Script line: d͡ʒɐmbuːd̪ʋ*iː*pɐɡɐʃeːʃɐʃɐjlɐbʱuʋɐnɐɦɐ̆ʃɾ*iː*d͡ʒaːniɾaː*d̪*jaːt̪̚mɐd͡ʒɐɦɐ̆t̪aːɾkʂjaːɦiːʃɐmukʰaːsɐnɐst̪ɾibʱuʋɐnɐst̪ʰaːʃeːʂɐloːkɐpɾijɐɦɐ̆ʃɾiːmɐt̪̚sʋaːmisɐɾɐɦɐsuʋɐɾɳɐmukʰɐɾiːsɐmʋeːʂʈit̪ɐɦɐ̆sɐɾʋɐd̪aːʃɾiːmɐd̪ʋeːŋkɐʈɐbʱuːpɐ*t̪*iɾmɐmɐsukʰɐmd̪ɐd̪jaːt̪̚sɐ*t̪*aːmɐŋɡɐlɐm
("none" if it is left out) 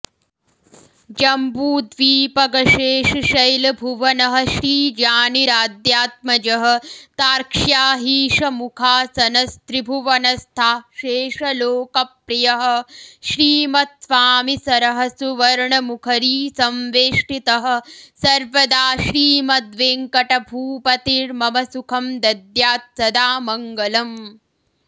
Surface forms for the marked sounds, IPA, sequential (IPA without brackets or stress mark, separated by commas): iː, iː, d̪, t̪, d̪